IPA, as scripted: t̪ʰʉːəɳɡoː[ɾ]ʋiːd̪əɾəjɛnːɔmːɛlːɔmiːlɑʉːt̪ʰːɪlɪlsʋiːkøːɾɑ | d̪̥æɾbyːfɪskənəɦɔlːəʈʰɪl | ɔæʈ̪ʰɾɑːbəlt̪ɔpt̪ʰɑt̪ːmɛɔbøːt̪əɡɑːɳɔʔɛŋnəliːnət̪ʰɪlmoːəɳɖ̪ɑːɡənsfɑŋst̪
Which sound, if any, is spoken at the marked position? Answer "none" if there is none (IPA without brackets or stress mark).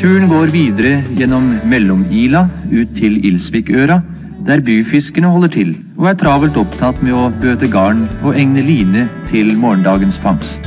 ɾ